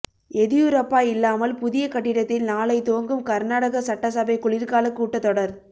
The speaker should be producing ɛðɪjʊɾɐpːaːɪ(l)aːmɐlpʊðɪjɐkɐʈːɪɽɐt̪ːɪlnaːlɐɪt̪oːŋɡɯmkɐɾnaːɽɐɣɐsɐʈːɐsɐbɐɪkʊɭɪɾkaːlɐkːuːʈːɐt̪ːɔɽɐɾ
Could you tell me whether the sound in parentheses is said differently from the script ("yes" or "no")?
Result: yes